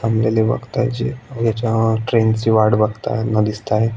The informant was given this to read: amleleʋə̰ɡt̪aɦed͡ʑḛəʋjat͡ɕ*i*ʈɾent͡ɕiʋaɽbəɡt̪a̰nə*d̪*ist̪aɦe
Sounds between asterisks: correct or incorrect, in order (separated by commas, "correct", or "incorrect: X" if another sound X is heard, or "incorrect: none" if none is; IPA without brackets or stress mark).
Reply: incorrect: a, correct